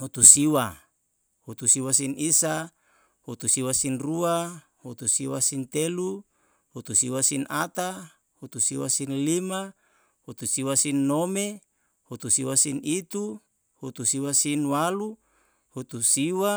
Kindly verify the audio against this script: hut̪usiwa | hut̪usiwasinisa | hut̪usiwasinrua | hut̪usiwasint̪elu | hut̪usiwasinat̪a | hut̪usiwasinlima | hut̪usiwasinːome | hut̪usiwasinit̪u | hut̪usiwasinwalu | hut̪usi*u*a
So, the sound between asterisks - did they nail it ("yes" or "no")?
no